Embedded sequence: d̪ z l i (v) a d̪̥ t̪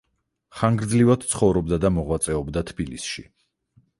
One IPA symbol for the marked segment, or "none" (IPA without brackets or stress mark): v